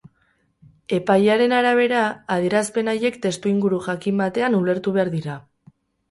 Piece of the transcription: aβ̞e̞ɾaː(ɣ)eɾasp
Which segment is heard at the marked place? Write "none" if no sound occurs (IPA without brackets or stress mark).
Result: ð